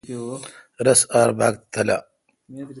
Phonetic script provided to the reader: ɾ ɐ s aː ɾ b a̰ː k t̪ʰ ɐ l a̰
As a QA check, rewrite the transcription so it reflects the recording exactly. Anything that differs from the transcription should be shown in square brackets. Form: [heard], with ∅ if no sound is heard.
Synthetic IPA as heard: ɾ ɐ s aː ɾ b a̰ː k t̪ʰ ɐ l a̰